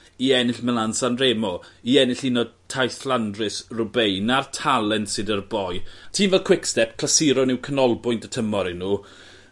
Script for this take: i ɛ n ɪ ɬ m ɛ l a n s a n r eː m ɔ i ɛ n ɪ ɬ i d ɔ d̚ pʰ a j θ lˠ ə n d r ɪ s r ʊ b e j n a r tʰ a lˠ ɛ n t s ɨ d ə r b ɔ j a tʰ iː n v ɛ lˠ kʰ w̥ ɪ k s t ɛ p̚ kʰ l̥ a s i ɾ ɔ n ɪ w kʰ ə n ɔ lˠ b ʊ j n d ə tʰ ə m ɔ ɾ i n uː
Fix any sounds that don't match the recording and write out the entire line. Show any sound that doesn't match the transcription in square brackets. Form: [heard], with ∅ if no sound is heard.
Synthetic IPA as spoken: i ɛ n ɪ ɬ m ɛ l a n s a n r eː m ɔ i ɛ n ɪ ɬ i [n] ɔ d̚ [tʰ] a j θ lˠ [a] n d r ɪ s r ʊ b e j n a r tʰ a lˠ ɛ n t s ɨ d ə r b ɔ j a tʰ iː n v ɛ lˠ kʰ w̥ ɪ k s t ɛ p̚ kʰ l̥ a s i ɾ ɔ n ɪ w kʰ ə n ɔ lˠ b ʊ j n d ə tʰ ə m ɔ ɾ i n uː